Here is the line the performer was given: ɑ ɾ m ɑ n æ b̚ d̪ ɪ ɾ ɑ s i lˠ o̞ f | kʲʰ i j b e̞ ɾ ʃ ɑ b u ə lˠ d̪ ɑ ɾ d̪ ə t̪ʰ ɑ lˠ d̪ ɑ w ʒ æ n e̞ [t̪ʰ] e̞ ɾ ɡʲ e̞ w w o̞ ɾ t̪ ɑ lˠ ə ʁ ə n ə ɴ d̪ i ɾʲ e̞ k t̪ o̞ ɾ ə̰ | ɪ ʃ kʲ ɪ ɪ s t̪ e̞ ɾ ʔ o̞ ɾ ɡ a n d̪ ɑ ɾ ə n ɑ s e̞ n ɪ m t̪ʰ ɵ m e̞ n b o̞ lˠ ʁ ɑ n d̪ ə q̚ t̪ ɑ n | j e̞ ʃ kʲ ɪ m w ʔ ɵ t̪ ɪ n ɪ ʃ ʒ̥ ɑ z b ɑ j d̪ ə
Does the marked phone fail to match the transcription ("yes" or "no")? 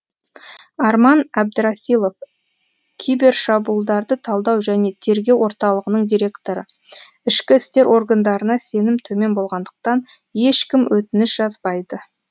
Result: no